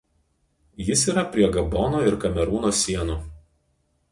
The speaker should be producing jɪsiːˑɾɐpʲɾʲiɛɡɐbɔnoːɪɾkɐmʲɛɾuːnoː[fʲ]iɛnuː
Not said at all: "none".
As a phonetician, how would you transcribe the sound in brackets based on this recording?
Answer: sʲ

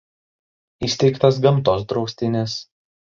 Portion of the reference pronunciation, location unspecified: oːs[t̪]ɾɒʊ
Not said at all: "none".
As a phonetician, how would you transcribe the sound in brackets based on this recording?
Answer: d̪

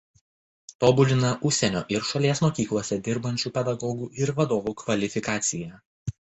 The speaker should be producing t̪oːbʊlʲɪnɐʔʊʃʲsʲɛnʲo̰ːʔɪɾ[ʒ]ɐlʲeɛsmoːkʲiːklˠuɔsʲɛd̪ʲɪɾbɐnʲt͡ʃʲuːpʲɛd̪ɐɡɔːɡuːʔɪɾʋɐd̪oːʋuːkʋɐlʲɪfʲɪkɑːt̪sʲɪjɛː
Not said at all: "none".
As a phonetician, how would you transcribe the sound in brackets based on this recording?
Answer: ʃ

